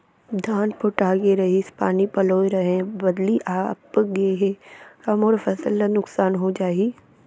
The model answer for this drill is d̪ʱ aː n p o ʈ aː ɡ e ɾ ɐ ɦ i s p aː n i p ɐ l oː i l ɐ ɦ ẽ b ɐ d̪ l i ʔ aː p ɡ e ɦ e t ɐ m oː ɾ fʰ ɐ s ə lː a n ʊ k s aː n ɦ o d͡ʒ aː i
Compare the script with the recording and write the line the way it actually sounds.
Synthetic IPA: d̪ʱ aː n p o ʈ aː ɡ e ɾ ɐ ɦ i s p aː n i p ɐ l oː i ɾ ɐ ɦ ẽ b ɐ d̪ l i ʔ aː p ɡ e ɦ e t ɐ m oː ɾ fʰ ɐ s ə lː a n ʊ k s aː n ɦ o d͡ʒ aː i

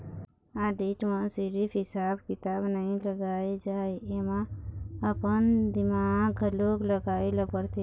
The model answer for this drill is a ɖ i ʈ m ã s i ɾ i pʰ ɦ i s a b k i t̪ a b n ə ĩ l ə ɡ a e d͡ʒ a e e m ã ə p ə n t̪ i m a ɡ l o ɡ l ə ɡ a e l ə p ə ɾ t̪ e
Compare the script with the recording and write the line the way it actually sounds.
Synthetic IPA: a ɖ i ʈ m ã s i ɾ i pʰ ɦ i s a b k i t̪ a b n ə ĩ l ə ɡ a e d͡ʒ a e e m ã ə p ə n d̪ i m a ɡ l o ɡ l ə ɡ a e l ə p ə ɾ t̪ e

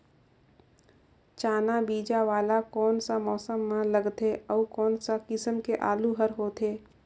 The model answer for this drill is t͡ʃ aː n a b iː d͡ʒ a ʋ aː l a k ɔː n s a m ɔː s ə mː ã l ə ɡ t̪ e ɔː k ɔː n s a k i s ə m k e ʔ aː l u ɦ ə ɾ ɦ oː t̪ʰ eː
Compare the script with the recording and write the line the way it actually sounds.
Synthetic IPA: t͡ʃ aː n a b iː d͡ʒ a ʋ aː l a k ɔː n s a m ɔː s ə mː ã l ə ɡ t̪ e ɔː k ɔː n s a k ɪ s ə m k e ʔ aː l u ɦ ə ɾ ɦ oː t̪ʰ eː

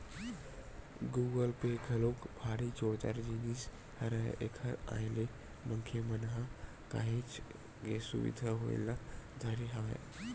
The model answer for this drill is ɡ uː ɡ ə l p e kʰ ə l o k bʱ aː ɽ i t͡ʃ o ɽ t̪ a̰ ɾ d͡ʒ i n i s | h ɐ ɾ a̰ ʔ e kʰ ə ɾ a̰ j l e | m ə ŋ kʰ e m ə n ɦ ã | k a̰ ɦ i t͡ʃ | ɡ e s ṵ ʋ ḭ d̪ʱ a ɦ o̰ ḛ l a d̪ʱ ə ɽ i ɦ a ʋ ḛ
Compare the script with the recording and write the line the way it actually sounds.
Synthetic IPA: ɡ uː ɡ ə l p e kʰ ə l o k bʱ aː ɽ i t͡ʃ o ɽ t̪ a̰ ɾ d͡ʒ i n i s | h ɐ ɾ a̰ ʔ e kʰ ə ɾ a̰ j l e | m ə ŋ kʰ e m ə n ɦ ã | k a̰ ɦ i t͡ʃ | ɡ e s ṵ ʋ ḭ d̪ʱ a ɦ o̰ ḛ l a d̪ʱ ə ɾ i ɦ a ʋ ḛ

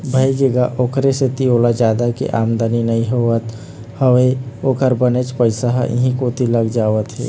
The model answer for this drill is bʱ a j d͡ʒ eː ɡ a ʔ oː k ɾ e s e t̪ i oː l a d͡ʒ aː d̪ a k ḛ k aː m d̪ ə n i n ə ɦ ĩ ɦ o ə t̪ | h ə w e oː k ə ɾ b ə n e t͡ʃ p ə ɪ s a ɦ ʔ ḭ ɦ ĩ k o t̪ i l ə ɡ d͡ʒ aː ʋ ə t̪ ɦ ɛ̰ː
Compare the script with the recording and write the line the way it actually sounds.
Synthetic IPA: bʱ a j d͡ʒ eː ɡ a ʔ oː k ɾ e s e t̪ i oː l a d͡ʒ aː d̪ a k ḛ ʔ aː m d̪ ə n i n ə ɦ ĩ ɦ o ə t̪ | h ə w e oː k ə ɾ b ə n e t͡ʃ p ə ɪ s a ɦ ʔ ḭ ɦ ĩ k o t̪ i l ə ɡ d͡ʒ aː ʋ ə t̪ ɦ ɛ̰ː

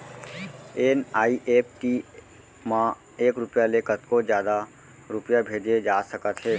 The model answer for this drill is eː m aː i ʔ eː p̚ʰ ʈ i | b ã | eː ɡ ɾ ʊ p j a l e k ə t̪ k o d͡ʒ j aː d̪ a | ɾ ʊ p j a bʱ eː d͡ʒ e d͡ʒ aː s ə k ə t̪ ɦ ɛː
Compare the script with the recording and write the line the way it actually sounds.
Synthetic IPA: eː n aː i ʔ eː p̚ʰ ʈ i | m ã | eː k ɾ ʊ p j a l e k ə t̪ k o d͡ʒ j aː d̪ a | ɾ ʊ p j a bʱ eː d͡ʒ e d͡ʒ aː s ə k ə t̪ ɦ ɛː

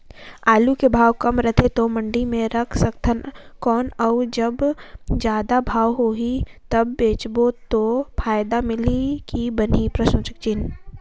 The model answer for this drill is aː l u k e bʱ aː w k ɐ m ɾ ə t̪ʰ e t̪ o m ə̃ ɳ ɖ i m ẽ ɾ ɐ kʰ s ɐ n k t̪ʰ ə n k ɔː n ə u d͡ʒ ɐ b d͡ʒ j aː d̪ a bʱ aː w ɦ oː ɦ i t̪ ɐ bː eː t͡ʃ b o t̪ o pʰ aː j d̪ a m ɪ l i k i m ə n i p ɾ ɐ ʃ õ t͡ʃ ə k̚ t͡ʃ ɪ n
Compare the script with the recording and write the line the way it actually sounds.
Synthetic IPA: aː l u k e bʱ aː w k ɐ m ɾ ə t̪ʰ e t̪ o m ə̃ ɳ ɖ i m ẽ ɾ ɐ kʰ s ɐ k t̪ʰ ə n k ɔː n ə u d͡ʒ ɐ b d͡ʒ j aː d̪ a bʱ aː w ɦ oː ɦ i t̪ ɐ bː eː t͡ʃ b o t̪ o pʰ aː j d̪ a m ɪ l i k i b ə n i p ɾ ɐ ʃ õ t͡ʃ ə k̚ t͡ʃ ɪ n

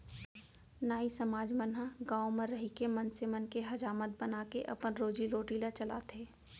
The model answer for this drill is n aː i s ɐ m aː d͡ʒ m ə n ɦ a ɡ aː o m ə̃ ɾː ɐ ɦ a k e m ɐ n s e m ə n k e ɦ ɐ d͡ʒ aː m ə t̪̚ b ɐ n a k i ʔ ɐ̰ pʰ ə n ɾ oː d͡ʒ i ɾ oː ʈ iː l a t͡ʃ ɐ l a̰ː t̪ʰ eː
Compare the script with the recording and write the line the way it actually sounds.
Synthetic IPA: n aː i s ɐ m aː d͡ʒ m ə n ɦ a ɡ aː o m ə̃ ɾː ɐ ɦ i k e m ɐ n s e m ə n k e ɦ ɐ d͡ʒ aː m ə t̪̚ b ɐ n a k e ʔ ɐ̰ p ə n ɾ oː d͡ʒ i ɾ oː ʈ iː l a t͡ʃ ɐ l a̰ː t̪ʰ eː

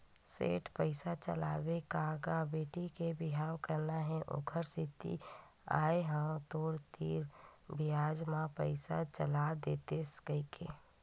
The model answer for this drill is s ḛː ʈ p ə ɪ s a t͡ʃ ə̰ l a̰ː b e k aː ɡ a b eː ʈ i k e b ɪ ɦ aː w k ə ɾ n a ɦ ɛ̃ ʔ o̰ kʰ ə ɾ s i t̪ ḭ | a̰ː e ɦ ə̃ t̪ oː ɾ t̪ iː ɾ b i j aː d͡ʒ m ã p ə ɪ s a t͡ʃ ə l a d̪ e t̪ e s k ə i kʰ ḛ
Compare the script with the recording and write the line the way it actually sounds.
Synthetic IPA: s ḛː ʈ p ə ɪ s a t͡ʃ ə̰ l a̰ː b e k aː ɡ a b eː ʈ i k e b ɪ ɦ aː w k ə ɾ n a ɦ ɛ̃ ʔ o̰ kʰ ə ɾ s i t̪ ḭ | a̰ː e ɦ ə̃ t̪ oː ɾ t̪ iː ɾ b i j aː d͡ʒ m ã p ə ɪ s a t͡ʃ ə l a d̪ e t̪ e s k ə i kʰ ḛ

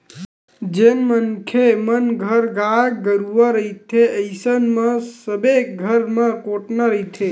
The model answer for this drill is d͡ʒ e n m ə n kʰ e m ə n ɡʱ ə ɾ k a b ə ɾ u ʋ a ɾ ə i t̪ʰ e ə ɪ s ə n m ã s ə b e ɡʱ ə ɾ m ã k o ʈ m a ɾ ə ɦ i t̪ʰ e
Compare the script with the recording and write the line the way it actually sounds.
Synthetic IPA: d͡ʒ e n m ə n kʰ e m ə n ɡʱ ə ɾ ɡ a ɡ ə ɾ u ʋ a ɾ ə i t̪ʰ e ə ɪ s ə n m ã s ə b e ɡʱ ə ɾ m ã k o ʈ n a ɾ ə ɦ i t̪ʰ e

